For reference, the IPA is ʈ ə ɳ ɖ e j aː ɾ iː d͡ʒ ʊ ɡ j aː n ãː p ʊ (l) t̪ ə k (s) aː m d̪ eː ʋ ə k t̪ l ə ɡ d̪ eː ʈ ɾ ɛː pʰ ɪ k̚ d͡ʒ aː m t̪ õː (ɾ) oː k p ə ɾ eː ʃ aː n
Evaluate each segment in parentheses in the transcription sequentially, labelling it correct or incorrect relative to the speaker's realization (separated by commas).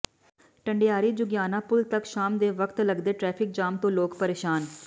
correct, incorrect, incorrect